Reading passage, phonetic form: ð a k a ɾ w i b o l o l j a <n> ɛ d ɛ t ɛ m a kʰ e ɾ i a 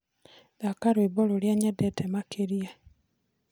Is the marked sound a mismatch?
yes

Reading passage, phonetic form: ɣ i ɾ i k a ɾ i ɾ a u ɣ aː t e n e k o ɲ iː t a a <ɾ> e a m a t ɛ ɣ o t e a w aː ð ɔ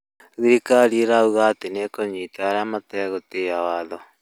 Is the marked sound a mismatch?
no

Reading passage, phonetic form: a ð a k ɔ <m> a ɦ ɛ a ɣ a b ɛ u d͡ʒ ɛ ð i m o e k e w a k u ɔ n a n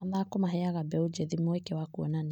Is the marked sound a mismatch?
no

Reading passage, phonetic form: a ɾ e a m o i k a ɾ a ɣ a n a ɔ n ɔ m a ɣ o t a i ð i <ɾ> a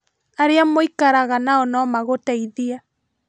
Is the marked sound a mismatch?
yes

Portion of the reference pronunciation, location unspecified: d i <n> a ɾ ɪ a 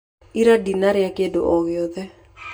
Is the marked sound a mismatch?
no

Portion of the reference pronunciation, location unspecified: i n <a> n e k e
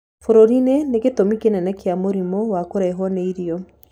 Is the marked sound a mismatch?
yes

